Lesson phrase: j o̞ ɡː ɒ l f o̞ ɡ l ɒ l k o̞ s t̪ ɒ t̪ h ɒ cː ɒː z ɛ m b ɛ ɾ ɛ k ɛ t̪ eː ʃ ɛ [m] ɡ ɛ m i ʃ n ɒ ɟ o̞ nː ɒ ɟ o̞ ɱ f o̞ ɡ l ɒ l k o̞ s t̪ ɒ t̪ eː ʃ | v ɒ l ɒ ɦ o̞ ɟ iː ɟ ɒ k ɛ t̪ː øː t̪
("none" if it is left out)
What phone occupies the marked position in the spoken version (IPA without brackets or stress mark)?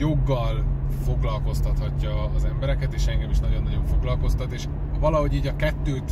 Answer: ŋ